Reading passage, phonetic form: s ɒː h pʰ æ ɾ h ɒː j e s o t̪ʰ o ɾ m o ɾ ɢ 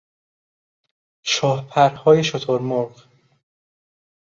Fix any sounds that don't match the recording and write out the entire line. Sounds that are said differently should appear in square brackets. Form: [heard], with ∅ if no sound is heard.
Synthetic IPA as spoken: [ʃ] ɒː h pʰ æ ɾ h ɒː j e [ʃ] o t̪ʰ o ɾ m o ɾ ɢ